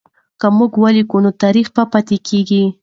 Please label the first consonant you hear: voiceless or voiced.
voiceless